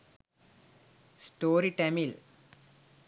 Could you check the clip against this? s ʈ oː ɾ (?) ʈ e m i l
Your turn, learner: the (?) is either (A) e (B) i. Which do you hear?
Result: B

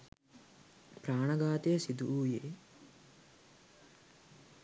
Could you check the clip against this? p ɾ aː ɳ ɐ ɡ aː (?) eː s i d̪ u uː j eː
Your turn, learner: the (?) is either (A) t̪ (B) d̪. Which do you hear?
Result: A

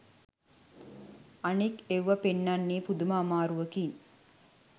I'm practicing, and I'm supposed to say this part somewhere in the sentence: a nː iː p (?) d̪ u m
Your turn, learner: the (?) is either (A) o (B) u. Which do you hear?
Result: B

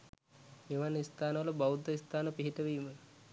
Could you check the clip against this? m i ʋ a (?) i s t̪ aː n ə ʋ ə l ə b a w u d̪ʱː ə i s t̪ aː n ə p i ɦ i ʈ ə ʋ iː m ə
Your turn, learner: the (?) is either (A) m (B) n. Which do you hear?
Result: B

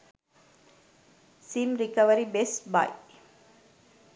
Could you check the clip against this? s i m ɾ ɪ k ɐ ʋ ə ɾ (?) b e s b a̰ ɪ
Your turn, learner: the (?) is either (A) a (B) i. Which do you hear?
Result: B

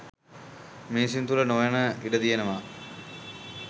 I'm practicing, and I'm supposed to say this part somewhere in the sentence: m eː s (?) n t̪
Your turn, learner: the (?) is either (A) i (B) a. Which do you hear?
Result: A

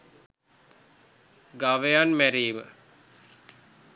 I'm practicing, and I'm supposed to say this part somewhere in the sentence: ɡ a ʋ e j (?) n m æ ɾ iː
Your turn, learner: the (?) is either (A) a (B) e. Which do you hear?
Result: A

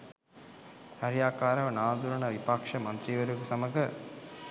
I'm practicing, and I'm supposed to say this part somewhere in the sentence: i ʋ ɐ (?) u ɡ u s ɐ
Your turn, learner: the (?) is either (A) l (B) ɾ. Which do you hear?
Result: B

